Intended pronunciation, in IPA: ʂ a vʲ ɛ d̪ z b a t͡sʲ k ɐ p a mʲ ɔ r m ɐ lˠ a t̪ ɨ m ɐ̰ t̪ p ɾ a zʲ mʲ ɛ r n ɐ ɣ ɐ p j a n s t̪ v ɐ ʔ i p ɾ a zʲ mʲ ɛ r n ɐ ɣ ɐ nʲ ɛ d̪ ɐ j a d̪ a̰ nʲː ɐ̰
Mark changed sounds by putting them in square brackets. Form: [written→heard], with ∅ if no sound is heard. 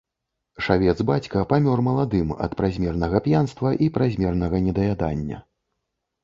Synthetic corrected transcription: ʂ a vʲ ɛ d̪ z b a t͡sʲ k ɐ p a mʲ ɔ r m ɐ lˠ a [t̪→d̪] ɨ m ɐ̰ t̪ p ɾ a zʲ mʲ ɛ r n ɐ ɣ ɐ p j a n s t̪ v ɐ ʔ i p ɾ a zʲ mʲ ɛ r n ɐ ɣ ɐ nʲ ɛ d̪ ɐ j a d̪ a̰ nʲː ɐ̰